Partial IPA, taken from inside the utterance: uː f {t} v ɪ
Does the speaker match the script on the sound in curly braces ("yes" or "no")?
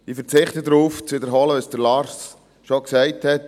no